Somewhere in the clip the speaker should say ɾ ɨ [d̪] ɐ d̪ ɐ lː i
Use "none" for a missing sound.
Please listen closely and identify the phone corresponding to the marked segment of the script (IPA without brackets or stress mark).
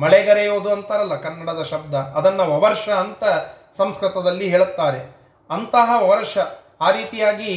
t̪